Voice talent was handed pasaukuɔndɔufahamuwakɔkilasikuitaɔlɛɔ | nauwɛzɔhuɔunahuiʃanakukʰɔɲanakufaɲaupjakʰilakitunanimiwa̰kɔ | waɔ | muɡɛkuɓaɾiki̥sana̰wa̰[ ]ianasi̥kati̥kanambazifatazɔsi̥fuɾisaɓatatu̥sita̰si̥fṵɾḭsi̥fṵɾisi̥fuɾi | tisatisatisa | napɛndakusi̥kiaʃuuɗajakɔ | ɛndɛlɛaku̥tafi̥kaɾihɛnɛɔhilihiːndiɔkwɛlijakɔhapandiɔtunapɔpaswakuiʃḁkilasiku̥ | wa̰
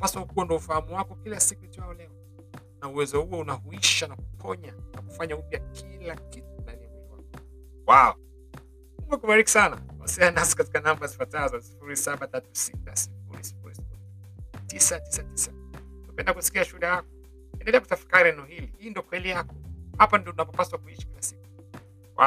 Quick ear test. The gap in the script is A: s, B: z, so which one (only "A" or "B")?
A